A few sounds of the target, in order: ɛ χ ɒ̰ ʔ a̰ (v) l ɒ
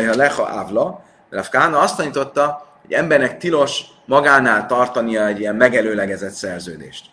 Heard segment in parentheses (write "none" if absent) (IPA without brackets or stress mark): v